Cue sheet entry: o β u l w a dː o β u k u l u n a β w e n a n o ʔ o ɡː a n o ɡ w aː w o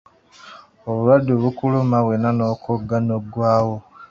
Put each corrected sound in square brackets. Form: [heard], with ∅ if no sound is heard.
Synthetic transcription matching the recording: o β u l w a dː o β u k u l u [m] a β w e n a n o [k] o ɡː a n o ɡ w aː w o